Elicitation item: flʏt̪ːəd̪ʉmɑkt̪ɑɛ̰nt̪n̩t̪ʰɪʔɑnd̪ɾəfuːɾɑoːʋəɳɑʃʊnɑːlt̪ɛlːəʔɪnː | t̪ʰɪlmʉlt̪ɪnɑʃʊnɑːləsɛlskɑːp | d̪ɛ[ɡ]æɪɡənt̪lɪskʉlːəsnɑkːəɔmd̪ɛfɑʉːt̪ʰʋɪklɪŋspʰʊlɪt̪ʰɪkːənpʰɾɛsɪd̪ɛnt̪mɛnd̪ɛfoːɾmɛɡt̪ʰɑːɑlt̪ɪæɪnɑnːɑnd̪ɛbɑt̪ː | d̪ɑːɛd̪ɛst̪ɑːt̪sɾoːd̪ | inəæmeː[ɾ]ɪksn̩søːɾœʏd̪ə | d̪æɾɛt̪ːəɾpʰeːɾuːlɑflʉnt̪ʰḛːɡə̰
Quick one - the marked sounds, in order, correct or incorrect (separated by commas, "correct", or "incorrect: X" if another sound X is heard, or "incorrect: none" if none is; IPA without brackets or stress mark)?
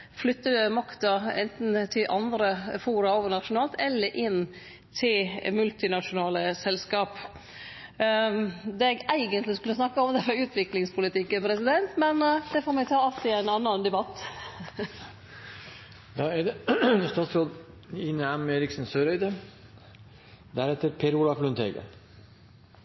correct, correct